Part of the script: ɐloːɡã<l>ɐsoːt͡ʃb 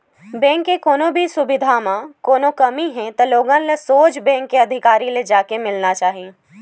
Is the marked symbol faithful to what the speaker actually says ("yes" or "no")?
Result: yes